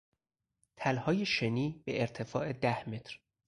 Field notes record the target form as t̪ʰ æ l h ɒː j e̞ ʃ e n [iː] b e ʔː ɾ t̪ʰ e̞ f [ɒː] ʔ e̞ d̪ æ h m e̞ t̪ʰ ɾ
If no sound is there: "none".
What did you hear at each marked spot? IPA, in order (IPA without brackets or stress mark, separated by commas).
iː, ɒː